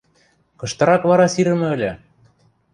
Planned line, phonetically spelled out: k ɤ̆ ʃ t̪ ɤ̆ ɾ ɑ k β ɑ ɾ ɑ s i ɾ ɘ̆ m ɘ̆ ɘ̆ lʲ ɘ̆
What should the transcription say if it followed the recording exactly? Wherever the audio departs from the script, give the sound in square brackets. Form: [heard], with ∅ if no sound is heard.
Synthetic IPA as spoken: k ɤ̆ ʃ t̪ ɤ̆ ɾ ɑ k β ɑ ɾ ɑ s i ɾ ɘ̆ m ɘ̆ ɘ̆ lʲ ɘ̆